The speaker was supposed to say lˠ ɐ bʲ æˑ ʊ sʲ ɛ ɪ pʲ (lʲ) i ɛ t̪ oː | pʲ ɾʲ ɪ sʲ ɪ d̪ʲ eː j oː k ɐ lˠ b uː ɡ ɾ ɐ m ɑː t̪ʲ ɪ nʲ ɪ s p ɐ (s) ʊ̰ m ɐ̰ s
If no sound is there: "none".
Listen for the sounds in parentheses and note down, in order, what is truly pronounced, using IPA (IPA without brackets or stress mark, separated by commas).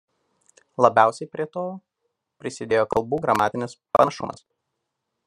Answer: ɾʲ, ʃ